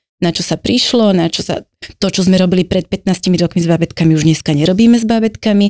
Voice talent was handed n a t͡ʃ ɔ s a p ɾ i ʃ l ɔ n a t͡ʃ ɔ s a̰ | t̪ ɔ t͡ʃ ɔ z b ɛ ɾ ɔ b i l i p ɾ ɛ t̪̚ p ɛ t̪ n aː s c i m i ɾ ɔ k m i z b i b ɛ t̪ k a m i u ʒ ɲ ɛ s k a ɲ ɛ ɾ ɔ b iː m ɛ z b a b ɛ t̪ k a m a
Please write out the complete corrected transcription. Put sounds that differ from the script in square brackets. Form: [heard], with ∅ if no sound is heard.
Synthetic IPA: n a t͡ʃ ɔ s a p ɾ i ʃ l ɔ n a t͡ʃ ɔ s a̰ | t̪ ɔ t͡ʃ ɔ z [m] ɛ ɾ ɔ b i l i p ɾ ɛ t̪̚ p ɛ t̪ n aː s c i m i ɾ ɔ k m i z b [a] b ɛ t̪ k a m i u ʒ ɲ ɛ s k a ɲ ɛ ɾ ɔ b iː m ɛ z b a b ɛ t̪ k a m [i]